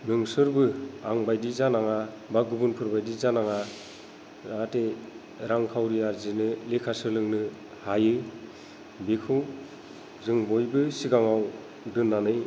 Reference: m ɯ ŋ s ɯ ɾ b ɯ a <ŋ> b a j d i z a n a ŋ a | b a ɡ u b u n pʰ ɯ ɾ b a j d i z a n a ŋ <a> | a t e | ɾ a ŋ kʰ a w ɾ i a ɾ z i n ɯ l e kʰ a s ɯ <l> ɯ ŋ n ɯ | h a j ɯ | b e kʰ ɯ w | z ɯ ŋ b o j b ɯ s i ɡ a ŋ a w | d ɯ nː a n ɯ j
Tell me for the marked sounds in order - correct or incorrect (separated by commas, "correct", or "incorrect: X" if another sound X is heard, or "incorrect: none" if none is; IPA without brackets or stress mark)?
correct, correct, correct